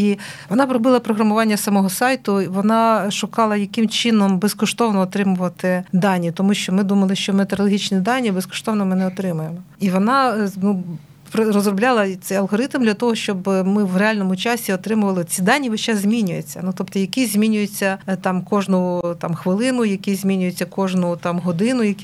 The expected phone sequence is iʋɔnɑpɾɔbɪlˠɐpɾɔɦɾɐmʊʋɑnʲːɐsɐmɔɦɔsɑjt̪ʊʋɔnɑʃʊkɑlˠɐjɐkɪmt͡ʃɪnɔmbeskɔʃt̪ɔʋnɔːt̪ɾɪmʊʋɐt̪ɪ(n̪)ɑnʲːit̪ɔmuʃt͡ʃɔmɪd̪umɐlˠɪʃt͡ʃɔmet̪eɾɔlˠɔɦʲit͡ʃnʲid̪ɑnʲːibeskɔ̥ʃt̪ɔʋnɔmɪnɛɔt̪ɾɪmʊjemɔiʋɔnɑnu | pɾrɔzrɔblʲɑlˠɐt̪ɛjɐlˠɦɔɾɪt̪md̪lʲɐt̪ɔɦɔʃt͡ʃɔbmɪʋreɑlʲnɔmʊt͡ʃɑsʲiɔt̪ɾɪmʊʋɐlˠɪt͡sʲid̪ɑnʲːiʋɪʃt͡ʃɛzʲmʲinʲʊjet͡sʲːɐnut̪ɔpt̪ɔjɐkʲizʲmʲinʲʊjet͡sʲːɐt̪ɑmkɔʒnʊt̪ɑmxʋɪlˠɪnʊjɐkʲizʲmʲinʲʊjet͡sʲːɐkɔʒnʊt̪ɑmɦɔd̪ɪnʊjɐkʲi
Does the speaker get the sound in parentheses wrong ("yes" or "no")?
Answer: yes